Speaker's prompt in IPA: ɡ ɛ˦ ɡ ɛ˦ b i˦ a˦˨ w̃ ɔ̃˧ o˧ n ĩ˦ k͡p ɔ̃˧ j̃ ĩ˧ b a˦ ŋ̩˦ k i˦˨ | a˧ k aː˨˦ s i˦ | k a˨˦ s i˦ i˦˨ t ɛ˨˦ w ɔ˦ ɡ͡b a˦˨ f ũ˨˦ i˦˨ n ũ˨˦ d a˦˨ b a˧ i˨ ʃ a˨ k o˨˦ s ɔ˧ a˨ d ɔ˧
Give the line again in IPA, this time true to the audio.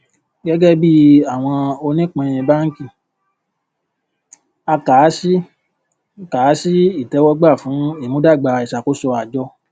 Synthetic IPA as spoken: ɡ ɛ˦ ɡ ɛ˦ b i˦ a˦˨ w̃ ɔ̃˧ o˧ n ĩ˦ k͡p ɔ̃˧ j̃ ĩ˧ b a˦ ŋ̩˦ k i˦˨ | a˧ k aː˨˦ s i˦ | k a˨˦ s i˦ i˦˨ t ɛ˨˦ w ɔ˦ ɡ͡b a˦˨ f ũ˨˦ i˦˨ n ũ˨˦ d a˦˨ ɡ͡b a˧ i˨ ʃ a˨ k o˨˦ s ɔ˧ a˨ d͡ʒ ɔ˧